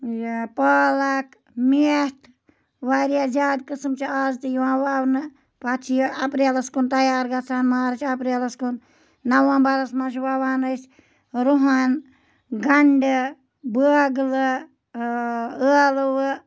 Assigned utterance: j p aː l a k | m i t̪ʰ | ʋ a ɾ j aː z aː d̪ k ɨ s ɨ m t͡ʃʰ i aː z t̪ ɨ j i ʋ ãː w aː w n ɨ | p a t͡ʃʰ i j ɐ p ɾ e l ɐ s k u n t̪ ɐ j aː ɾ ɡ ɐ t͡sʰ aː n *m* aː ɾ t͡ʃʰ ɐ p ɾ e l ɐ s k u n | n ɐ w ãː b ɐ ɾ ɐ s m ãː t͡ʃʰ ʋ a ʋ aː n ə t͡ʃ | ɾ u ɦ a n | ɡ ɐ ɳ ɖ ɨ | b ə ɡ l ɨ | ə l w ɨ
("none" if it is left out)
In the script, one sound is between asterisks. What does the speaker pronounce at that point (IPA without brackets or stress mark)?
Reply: m